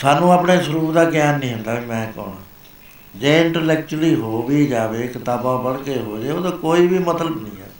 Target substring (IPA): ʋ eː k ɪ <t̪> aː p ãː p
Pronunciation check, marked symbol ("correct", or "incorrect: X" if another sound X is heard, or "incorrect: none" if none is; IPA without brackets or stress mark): correct